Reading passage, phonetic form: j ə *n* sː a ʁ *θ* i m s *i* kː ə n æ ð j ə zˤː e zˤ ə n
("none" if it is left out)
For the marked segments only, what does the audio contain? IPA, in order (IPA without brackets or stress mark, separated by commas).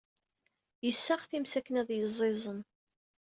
none, θ, æ